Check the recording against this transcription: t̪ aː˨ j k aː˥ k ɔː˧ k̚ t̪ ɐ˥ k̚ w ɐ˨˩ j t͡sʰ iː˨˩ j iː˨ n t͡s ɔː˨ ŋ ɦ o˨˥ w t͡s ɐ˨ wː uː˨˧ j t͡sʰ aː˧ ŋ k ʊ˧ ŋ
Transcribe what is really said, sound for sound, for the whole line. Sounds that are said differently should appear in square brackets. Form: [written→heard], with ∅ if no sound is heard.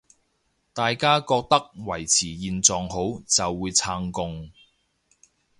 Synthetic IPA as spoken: t̪ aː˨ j k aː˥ k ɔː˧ k̚ t̪ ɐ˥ k̚ w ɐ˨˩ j t͡sʰ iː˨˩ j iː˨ n t͡s ɔː˨ ŋ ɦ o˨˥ w t͡s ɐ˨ wː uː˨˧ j t͡sʰ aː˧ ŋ k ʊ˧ ŋ